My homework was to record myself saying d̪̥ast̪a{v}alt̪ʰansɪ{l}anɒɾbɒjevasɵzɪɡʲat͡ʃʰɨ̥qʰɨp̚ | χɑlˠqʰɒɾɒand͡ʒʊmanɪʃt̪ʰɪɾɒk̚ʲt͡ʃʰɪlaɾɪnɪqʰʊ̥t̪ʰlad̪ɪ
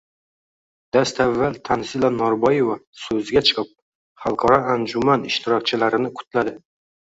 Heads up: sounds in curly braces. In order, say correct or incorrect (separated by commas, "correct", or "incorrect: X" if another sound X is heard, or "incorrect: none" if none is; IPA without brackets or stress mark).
incorrect: vː, correct